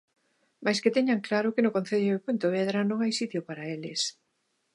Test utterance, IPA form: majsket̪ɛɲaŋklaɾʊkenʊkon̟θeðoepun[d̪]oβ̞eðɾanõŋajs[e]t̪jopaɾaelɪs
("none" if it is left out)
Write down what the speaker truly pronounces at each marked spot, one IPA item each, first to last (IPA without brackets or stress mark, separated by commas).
t̪, i